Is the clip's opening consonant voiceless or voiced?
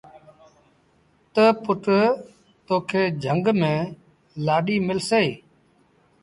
voiceless